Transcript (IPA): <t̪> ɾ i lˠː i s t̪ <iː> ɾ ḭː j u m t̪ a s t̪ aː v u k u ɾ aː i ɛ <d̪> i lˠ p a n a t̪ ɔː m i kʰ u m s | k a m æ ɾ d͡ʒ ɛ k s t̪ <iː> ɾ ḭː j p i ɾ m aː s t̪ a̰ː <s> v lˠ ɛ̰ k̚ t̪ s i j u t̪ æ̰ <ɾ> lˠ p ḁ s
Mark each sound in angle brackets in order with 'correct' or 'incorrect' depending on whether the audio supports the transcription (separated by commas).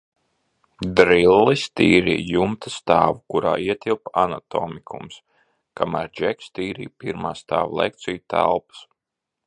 incorrect, correct, incorrect, correct, incorrect, incorrect